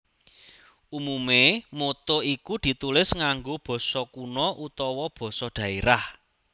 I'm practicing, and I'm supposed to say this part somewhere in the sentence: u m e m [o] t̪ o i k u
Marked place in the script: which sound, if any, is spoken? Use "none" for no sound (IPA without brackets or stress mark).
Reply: o